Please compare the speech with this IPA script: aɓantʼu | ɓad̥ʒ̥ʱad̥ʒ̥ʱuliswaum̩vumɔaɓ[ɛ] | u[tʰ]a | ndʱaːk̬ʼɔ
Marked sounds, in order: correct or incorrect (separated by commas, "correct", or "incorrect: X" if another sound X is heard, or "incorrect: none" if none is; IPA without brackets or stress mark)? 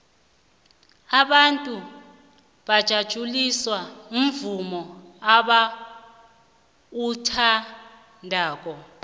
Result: incorrect: a, correct